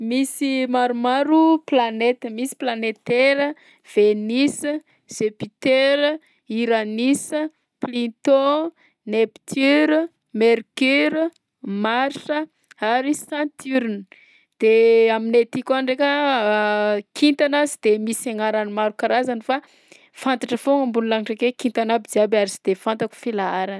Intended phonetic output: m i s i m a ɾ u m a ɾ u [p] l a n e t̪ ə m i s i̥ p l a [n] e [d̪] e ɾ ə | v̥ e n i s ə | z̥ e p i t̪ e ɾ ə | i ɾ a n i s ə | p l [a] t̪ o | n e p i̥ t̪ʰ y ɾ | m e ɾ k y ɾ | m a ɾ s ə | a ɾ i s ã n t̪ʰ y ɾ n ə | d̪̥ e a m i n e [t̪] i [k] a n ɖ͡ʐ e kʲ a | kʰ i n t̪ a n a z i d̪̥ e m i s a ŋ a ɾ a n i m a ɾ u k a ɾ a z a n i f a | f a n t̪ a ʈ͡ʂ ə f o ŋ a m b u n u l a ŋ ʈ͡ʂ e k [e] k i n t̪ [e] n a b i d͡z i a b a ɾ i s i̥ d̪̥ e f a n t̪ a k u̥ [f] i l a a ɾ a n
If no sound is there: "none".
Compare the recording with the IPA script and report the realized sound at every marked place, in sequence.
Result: p, n, t̪, i, t̪, k, e, a, f

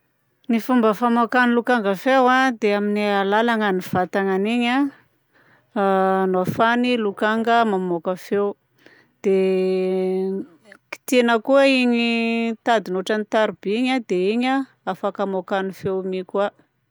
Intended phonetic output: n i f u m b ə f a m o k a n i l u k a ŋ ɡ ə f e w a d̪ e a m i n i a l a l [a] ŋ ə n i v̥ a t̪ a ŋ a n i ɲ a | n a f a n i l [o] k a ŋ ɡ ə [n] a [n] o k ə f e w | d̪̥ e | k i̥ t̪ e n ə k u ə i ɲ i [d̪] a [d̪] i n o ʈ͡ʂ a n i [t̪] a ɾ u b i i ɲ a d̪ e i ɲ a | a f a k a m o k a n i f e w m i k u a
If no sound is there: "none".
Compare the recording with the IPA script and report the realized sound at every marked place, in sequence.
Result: a, u, m, m, t̪, d̪, t̪

